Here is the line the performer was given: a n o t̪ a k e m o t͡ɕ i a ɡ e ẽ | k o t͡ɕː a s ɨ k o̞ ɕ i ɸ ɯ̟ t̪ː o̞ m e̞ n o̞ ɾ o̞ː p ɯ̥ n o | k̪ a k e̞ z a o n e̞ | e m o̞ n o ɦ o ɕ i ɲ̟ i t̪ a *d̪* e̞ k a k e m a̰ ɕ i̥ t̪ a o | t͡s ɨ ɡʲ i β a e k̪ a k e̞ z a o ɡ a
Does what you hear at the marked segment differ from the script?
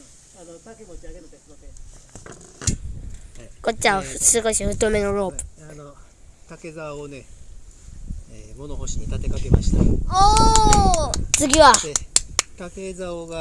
yes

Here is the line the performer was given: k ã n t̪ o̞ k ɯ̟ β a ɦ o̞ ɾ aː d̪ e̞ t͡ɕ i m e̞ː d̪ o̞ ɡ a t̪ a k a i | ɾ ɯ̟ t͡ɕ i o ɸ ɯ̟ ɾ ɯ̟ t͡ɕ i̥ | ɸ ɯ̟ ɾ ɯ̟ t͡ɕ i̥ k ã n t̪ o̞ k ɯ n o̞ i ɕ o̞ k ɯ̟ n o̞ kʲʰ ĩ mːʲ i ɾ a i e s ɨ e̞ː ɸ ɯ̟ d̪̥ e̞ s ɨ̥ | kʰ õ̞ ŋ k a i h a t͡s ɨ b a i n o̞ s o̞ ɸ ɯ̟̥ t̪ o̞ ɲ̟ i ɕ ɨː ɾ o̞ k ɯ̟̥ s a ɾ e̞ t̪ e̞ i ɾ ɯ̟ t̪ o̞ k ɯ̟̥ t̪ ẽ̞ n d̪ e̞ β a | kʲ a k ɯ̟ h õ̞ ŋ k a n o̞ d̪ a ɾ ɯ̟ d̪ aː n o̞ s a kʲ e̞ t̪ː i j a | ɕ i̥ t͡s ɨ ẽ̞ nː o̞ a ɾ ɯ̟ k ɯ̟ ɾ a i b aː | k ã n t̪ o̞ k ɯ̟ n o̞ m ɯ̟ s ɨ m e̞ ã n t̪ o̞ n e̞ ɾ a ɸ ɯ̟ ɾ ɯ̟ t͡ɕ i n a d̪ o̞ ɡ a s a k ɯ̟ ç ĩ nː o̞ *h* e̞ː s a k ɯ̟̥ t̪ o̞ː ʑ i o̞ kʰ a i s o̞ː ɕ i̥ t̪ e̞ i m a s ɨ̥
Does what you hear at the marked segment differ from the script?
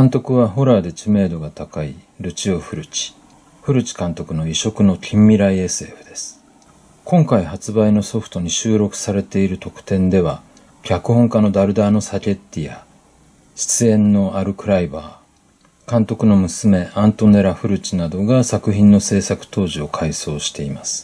yes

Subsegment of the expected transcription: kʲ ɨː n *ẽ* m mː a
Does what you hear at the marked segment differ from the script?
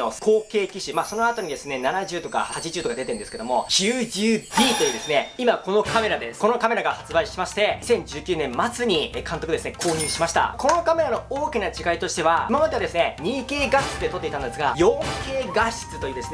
no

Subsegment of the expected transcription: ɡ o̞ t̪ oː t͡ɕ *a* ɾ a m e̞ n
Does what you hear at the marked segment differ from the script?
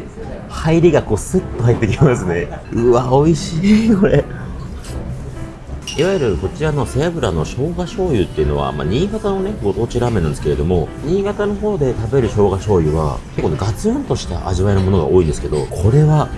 yes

